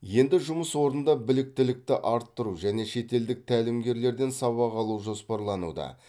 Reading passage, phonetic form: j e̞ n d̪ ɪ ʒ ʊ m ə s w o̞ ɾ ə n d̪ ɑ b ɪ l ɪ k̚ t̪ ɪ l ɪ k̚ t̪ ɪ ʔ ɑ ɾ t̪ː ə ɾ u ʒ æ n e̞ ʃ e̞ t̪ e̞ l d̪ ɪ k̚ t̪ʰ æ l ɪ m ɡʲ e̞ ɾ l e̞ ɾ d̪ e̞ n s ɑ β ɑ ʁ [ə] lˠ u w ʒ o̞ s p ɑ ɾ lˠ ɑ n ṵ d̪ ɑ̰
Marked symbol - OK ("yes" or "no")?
no